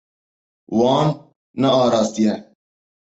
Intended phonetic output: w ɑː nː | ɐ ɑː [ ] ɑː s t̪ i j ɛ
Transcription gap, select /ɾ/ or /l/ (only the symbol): ɾ